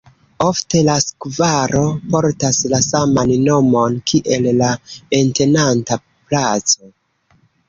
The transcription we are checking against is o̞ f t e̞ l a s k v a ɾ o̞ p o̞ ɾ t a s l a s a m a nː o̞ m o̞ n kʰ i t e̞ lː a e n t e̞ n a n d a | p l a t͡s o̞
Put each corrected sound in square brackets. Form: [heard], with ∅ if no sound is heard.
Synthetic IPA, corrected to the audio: o̞ f t e̞ l a s k v a ɾ o̞ p o̞ ɾ t a s l a s a m a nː o̞ m o̞ n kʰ i [ʔ] e̞ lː a e n t e̞ n a n [t] a | p l a t͡s o̞

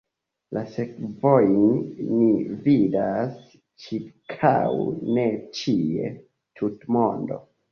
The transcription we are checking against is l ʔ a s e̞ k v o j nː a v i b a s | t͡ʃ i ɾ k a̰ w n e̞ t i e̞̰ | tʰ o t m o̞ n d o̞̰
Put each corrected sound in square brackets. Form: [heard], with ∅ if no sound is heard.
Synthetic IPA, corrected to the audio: l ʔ a s e̞ k v o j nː [i] v i [d] a s | t͡ʃ i ɾ [kʰ] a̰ w n e̞ [t͡ʃ] i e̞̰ | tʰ [u] t m o̞ n d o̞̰

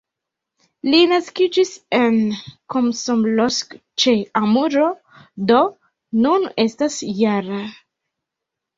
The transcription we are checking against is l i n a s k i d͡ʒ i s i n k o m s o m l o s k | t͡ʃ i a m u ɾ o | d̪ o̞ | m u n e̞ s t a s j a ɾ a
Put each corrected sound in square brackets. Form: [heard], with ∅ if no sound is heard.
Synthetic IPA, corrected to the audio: l i n a s k i d͡ʒ i s [e] n k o m s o m l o s k | t͡ʃ [e] a m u ɾ o | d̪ o̞ | [n] u n e̞ s t a s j a ɾ a

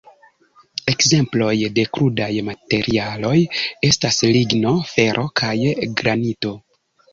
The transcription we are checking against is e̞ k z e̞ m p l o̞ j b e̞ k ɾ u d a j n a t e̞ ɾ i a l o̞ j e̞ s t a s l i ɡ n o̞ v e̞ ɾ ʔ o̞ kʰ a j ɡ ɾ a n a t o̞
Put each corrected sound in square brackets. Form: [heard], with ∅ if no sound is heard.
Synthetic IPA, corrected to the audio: e̞ k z e̞ m p l o̞ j [d] e̞ k ɾ u d a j [m] a t e̞ ɾ i a l o̞ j e̞ s t a s l i ɡ n o̞ [f] e̞ ɾ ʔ o̞ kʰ a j ɡ ɾ a n [i] t o̞

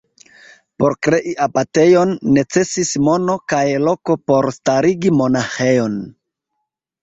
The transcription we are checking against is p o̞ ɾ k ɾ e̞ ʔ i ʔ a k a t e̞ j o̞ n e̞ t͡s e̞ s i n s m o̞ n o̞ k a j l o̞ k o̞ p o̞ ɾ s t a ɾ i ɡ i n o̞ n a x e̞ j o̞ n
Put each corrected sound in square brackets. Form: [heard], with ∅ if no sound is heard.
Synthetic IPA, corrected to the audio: p o̞ ɾ k ɾ e̞ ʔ i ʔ a [p] a t e̞ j o̞ [nː] e̞ t͡s e̞ s i [∅] s m o̞ n o̞ k a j l o̞ k o̞ p o̞ ɾ s t a ɾ i ɡ i [m] o̞ n a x e̞ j o̞ n

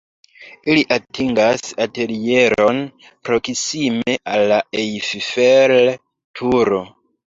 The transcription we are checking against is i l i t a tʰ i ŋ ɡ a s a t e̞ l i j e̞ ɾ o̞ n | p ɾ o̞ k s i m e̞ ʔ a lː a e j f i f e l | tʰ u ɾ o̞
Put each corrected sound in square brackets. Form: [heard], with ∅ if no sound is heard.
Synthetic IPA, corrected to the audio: i l i [ʔ] a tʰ i ŋ ɡ a s a t e̞ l i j e̞ ɾ o̞ n | p ɾ o̞ k s i m e̞ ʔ a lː a e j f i f e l | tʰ u ɾ o̞

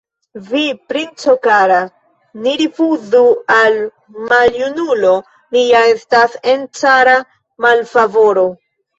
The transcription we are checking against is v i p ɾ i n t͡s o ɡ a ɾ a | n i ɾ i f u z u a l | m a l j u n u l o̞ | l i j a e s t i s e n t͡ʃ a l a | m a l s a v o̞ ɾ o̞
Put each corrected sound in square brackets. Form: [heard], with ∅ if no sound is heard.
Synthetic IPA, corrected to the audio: v i p ɾ i n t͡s o [k] a ɾ a | n i ɾ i f u z u a l | m a l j u n u l o̞ | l i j a e s t [a] s e n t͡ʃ a [ɾ] a | m a l [f] a v o̞ ɾ o̞

